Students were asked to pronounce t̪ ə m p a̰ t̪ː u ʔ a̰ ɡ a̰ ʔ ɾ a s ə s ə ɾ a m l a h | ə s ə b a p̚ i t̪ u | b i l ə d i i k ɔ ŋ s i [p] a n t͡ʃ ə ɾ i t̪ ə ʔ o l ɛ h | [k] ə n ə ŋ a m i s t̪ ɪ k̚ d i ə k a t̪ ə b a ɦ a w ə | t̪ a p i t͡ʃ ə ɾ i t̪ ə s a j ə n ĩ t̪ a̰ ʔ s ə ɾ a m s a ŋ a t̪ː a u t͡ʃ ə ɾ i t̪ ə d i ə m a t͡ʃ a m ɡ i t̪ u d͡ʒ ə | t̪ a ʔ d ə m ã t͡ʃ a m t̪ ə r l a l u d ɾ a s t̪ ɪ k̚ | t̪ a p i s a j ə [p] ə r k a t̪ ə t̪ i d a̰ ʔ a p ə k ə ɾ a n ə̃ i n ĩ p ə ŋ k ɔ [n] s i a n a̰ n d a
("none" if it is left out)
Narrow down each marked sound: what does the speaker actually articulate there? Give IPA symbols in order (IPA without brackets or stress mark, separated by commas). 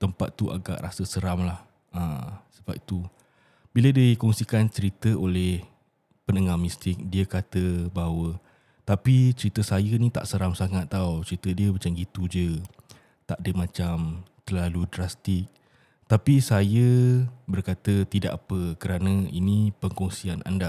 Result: k, p, b, ŋ